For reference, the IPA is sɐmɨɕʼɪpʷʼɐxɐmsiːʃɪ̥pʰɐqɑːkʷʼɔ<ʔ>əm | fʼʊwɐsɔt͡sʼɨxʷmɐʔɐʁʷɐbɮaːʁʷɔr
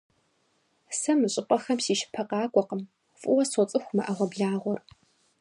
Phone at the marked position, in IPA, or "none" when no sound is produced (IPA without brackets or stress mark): q